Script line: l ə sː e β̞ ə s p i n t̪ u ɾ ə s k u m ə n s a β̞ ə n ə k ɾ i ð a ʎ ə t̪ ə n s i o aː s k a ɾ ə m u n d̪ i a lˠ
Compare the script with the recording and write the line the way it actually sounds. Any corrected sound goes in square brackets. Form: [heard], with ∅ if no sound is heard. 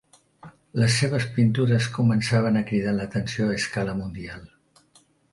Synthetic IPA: l ə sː e β̞ ə s p i n t̪ u ɾ ə s k u m ə n s a β̞ ə n ə k ɾ i ð a [l] ə t̪ ə n s i o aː s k a [l] ə m u n d̪ i a lˠ